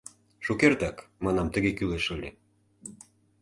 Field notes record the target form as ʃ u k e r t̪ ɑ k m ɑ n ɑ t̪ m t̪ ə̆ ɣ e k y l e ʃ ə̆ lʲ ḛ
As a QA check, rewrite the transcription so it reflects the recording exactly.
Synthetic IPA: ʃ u k e r t̪ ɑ k m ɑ n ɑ m t̪ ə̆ ɣ e k y l e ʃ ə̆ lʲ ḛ